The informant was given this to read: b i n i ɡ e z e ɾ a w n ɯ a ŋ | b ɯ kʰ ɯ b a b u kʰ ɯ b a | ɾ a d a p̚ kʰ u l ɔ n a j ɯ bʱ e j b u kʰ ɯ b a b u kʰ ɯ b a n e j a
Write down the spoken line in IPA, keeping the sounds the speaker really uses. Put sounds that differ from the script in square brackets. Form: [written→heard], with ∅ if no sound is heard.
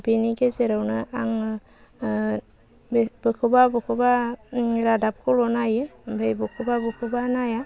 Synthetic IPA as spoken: b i n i ɡ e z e ɾ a w n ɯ a ŋ | b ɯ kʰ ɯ b a b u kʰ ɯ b a | ɾ a d a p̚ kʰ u l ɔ n a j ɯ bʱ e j b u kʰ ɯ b a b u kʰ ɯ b a n [e→a] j a